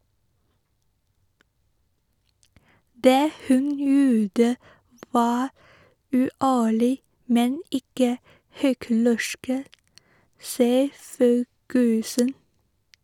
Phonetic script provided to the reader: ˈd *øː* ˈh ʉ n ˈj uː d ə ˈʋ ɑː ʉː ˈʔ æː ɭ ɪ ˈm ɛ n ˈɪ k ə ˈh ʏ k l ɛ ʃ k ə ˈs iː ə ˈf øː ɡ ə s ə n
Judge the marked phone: incorrect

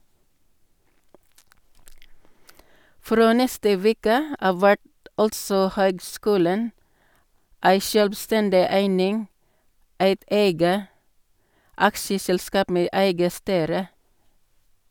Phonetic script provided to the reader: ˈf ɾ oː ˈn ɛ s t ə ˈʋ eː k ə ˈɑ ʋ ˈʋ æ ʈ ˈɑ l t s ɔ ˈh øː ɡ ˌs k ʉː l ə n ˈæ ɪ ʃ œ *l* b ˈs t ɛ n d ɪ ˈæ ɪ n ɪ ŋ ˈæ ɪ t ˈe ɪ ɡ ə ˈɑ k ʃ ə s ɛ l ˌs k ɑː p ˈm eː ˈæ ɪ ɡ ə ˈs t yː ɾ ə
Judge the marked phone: correct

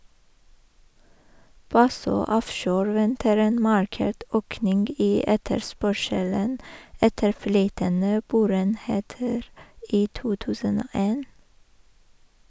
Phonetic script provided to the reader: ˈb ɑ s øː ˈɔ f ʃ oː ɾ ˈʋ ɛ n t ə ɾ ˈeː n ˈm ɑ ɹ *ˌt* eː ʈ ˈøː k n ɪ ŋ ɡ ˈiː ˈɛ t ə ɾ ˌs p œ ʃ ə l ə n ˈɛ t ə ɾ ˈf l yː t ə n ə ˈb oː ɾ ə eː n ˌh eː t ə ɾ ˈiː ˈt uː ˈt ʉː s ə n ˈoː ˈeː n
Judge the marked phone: incorrect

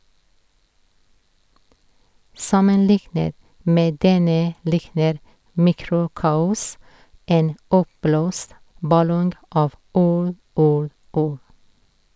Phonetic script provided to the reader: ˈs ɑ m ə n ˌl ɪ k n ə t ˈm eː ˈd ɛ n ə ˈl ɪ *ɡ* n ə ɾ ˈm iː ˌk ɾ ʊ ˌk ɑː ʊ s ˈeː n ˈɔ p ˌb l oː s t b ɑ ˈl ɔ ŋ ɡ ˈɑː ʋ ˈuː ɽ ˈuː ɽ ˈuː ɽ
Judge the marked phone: incorrect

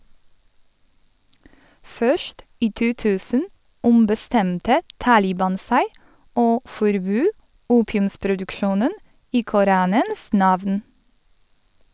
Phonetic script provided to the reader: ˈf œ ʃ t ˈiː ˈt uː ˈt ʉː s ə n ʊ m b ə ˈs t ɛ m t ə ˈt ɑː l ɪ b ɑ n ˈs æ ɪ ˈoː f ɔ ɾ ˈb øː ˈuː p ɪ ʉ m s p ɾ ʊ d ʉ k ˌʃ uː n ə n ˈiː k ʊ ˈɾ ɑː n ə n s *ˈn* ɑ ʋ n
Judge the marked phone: correct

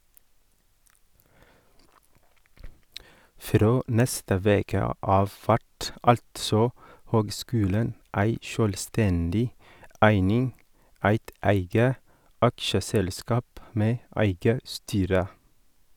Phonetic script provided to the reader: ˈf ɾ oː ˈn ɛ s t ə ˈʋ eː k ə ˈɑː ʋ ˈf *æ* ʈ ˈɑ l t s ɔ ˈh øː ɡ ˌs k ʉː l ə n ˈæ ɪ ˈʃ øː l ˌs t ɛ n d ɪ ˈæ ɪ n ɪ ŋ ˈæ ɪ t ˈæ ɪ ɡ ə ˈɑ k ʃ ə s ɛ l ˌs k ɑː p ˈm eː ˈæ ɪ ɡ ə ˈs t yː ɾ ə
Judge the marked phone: correct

